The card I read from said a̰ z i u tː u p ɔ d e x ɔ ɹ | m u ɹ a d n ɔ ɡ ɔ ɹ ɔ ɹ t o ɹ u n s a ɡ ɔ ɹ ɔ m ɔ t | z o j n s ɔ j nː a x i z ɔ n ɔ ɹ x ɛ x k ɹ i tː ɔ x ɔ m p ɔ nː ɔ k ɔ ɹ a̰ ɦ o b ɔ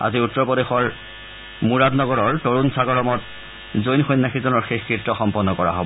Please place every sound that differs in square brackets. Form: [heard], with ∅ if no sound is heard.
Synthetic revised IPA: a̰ z i u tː [ɔ] p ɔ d e x ɔ ɹ | m u ɹ a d n ɔ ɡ ɔ ɹ ɔ ɹ t o ɹ u n s a ɡ ɔ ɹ ɔ m ɔ t | z o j n [x] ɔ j nː a x i z ɔ n ɔ ɹ x [e] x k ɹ i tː ɔ x ɔ m p ɔ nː ɔ k ɔ ɹ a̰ ɦ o b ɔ